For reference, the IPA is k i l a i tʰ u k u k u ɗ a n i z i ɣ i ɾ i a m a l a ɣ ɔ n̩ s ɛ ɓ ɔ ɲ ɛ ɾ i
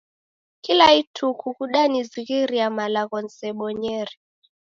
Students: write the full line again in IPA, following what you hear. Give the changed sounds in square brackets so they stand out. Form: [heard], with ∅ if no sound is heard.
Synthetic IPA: k i l a i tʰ u k u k u ɗ a n i z i ɣ i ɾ i a m a l a ɣ ɔ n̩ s ɛ ɓ ɔ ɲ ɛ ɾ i